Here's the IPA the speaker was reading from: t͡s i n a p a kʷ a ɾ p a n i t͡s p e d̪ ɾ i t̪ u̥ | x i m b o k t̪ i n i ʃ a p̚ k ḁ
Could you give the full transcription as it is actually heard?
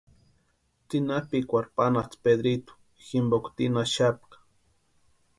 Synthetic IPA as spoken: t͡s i n a p i kʷ a ɾ p a n a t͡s p e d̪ ɾ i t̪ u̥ | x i m b o k t̪ i n a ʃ a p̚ k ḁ